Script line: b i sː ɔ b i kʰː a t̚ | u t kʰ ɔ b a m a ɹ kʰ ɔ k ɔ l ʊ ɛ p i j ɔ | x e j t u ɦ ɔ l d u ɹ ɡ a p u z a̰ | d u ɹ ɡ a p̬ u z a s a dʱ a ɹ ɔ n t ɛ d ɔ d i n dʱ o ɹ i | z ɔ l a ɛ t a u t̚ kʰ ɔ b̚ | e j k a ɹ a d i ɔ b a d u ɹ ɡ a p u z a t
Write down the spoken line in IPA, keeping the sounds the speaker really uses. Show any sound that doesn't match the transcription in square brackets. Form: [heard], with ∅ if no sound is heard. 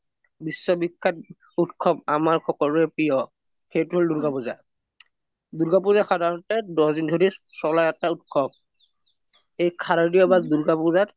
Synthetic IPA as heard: b i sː ɔ b i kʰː a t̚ | u t kʰ ɔ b a m a ɹ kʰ ɔ k ɔ l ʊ ɛ p i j ɔ | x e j t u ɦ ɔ l d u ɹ ɡ a p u z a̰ | d u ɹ ɡ a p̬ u z a [x] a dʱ a ɹ ɔ n t ɛ d ɔ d i n dʱ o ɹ i | [s] ɔ l a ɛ t a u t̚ kʰ ɔ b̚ | e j [kʰ] a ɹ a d i ɔ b a d u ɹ ɡ a p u z a t